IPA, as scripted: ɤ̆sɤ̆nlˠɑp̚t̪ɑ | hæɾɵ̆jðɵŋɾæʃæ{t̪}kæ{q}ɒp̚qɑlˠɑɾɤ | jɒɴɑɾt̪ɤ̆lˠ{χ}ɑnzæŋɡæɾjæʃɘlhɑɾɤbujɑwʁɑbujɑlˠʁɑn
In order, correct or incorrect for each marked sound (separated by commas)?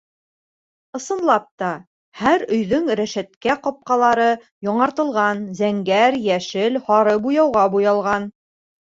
correct, correct, incorrect